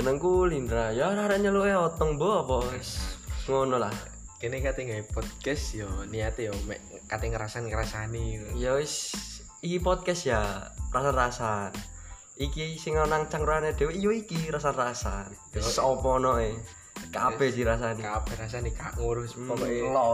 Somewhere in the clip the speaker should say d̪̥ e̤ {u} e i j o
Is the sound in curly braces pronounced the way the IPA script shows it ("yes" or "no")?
no